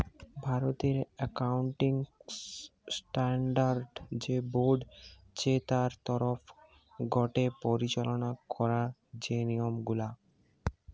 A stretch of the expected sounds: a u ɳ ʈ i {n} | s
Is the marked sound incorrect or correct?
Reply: incorrect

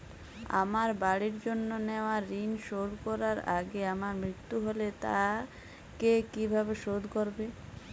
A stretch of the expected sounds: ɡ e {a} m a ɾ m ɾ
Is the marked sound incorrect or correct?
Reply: correct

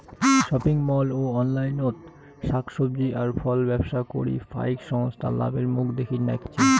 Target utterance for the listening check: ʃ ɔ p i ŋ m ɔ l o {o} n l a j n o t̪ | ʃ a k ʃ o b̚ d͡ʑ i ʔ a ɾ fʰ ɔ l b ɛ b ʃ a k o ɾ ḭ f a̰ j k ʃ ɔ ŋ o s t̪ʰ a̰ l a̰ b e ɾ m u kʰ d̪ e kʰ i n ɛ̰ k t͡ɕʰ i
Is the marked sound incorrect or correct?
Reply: incorrect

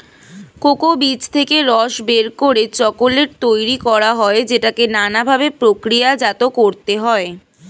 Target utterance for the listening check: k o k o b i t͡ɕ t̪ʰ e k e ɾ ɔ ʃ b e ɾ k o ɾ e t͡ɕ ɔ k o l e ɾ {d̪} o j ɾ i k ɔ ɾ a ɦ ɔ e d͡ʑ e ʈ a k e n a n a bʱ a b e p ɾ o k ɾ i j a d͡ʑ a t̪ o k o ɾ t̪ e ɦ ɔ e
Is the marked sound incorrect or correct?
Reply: incorrect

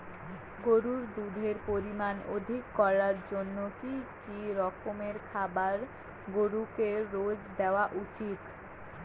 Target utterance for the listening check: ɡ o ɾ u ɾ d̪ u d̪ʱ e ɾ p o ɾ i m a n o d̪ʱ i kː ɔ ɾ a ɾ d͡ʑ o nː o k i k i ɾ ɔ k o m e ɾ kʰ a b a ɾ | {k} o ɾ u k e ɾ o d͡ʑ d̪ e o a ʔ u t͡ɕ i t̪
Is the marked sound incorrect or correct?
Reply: incorrect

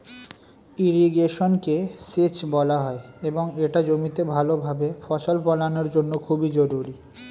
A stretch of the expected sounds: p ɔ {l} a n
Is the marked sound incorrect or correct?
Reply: correct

